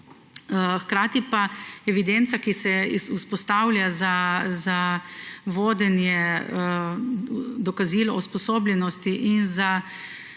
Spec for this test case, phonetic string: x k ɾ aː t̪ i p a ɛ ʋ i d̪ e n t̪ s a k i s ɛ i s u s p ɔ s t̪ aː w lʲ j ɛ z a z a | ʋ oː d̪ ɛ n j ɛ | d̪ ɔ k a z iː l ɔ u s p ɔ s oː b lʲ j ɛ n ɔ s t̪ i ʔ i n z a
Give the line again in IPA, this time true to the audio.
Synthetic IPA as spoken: x k ɾ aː t̪ i p a ɛ ʋ i d̪ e n t̪ s a k i s ɛ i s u s p ɔ s t̪ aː w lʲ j a z a z a | ʋ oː d̪ ɛ n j ɛ | d̪ ɔ k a z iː l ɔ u s p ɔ s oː b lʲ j ɛ n ɔ s t̪ i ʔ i n z a